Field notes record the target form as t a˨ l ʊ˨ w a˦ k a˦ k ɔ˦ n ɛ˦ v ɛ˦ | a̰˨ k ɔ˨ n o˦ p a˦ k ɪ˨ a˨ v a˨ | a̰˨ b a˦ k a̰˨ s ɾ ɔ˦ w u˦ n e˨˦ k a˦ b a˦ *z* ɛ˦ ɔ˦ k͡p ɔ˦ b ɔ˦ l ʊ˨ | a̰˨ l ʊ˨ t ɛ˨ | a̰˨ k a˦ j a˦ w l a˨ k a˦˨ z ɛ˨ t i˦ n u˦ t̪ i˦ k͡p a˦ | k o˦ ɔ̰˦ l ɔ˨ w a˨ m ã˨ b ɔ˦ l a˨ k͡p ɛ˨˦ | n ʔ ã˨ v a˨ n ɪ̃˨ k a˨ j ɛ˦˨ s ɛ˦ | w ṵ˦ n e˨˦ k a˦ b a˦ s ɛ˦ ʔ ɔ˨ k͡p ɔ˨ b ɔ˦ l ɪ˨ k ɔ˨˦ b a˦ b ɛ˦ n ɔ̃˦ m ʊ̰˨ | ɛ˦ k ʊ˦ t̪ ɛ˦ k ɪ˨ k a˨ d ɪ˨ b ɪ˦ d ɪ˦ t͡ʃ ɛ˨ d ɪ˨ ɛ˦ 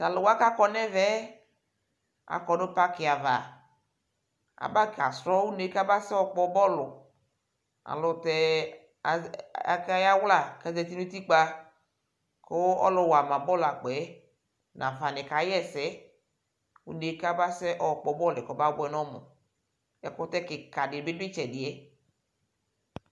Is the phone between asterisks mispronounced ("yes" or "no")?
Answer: yes